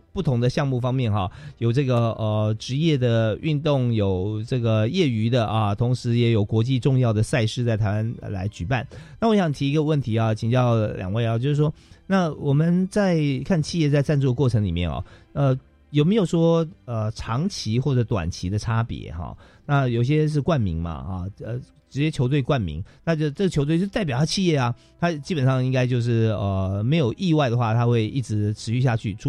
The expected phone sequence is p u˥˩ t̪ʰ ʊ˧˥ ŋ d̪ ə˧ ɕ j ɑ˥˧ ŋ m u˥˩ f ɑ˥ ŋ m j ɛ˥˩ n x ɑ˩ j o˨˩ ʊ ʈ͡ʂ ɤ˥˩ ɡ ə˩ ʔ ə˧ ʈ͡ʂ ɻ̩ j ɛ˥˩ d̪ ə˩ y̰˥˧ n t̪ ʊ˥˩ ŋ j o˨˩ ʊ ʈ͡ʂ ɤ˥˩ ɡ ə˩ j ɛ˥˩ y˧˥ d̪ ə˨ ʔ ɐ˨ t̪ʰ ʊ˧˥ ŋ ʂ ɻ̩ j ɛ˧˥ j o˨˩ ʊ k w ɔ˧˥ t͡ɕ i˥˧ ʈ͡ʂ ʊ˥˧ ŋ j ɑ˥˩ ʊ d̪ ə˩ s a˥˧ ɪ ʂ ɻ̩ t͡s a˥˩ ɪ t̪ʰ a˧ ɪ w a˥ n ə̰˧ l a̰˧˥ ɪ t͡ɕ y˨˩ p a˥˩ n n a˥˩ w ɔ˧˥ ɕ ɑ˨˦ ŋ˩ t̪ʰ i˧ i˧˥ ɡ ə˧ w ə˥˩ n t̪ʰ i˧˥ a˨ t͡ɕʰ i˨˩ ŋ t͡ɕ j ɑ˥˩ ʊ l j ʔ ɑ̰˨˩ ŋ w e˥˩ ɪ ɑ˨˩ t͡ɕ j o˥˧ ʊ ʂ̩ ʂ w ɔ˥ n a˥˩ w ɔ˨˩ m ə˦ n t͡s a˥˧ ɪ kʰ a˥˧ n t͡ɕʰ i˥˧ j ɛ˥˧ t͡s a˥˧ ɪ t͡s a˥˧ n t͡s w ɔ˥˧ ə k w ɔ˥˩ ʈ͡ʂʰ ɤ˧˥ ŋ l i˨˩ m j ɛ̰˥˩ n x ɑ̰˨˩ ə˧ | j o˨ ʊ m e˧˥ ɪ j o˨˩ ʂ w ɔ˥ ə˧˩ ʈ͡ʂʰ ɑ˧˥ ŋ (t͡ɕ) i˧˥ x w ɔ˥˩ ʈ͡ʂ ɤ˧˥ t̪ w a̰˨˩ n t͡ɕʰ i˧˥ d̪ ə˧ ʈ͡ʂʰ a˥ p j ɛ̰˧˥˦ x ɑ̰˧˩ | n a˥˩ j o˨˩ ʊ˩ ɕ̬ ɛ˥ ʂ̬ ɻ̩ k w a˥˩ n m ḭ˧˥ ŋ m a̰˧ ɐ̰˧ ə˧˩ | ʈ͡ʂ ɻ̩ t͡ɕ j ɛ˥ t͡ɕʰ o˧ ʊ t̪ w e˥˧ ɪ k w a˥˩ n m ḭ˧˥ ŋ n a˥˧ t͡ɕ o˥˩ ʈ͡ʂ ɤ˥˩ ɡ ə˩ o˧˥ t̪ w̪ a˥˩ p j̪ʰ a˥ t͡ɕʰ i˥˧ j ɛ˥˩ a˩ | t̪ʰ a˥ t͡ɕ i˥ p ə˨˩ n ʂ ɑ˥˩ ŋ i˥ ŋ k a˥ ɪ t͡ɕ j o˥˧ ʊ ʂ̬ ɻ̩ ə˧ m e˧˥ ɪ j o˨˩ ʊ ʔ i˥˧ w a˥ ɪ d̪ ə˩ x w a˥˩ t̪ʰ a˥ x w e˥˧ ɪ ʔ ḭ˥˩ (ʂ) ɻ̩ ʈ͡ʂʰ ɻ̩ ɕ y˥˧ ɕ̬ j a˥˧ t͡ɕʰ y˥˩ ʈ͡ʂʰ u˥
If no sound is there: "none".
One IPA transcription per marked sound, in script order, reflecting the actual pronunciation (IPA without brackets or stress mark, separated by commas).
t͡ɕʰ, ʈ͡ʂ